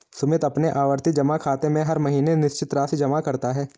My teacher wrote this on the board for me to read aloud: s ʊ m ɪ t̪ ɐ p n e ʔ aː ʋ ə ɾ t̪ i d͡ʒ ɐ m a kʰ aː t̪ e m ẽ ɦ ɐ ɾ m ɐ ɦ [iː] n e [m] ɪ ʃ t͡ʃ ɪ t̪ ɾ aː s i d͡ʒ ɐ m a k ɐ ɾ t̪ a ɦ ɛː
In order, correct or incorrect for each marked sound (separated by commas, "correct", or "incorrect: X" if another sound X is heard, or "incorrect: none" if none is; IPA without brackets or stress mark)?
correct, incorrect: n